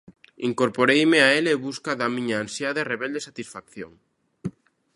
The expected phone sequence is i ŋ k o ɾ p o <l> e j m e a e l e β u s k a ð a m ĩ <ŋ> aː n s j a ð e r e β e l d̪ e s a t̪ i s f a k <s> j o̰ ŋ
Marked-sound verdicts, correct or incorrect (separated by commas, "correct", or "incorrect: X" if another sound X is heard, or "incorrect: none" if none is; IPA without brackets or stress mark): incorrect: ɾ, incorrect: ɲ, incorrect: θ